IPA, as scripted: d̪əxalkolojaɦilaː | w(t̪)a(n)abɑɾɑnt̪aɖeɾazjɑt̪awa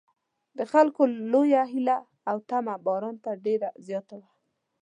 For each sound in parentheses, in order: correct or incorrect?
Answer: correct, incorrect

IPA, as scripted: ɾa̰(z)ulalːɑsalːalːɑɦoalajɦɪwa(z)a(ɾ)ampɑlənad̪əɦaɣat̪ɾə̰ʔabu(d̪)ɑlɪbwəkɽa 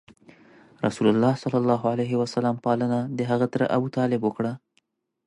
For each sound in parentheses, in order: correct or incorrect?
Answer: incorrect, incorrect, incorrect, incorrect

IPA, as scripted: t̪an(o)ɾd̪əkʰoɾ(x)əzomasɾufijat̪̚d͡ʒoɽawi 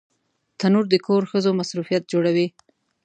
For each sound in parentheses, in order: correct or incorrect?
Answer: incorrect, correct

